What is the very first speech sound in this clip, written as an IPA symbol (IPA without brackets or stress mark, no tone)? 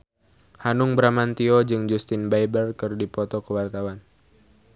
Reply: h